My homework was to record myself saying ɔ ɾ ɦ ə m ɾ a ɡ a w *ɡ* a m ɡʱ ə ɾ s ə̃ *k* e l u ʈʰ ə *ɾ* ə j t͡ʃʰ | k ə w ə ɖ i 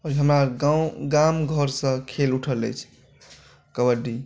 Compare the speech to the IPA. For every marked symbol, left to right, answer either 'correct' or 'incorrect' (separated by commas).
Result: correct, incorrect, incorrect